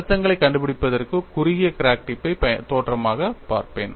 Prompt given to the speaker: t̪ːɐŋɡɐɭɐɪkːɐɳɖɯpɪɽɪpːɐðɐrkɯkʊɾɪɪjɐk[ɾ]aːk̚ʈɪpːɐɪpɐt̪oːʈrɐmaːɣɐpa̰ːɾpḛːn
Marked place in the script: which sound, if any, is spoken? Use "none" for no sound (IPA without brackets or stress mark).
ɾ